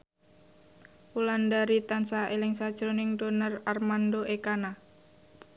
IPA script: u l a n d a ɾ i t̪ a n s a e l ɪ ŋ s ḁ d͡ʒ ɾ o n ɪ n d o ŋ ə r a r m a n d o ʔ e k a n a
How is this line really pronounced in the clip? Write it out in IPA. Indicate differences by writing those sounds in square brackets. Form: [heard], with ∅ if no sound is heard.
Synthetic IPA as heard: u l a n d a ɾ i t̪ a n s a e l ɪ ŋ s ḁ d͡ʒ ɾ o n ɪ [ŋ] d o [n] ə r a r m a n d o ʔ e k a n a